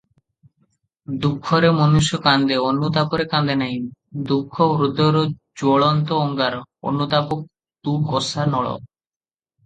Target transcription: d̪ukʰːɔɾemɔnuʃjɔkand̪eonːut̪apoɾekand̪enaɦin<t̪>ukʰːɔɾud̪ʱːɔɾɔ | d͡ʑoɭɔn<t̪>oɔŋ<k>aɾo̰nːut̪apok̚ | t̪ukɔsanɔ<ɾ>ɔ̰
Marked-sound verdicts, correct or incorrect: incorrect: d̪, correct, incorrect: ɡ, incorrect: ɭ

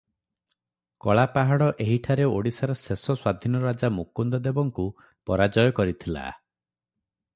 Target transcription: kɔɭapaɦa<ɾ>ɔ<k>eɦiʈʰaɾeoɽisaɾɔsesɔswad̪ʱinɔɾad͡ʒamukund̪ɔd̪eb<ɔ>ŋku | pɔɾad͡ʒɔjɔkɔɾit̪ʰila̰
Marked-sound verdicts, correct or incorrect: incorrect: ɽ, incorrect: ʔ, correct

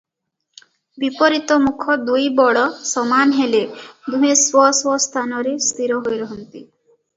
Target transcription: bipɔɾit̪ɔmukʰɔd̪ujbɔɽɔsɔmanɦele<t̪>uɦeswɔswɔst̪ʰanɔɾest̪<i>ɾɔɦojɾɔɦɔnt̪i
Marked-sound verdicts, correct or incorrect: incorrect: d̪, correct

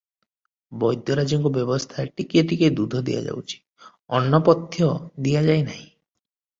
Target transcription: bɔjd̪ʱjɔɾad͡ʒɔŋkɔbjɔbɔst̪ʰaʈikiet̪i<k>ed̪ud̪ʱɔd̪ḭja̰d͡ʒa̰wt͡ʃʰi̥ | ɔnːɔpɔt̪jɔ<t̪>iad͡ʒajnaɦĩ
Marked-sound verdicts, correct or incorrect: correct, incorrect: d̪

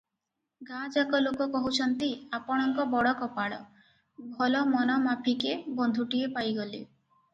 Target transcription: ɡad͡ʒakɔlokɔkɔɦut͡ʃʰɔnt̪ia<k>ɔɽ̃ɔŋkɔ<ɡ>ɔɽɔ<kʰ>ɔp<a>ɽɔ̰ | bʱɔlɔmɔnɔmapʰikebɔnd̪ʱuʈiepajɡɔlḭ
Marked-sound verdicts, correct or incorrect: incorrect: p, incorrect: b, incorrect: k, correct

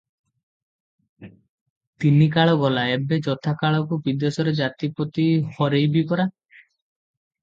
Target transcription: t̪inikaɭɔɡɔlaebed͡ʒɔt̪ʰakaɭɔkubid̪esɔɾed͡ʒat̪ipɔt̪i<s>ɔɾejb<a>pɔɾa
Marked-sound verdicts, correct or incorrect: incorrect: h, incorrect: i

